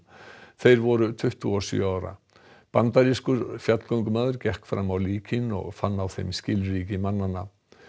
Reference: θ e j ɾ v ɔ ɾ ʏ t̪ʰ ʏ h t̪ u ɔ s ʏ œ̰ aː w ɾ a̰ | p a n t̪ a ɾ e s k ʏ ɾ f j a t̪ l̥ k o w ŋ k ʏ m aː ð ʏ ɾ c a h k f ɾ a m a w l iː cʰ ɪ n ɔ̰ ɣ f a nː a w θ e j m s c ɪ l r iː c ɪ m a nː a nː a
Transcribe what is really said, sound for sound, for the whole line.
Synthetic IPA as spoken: θ e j ɾ v ɔ ɾ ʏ t̪ʰ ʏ h t̪ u ɔ s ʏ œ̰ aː w ɾ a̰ | p a n t̪ a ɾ i s k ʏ ɾ f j a t̪ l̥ k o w ŋ k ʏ m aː ð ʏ ɾ c ɛ h k f ɾ a m a w l iː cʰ ɪ n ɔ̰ ɣ f a nː a w θ e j m s c ɪ l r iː c ɪ m a nː a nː a